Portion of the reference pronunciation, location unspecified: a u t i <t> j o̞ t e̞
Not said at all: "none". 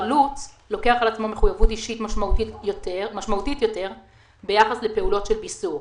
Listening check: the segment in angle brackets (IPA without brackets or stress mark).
t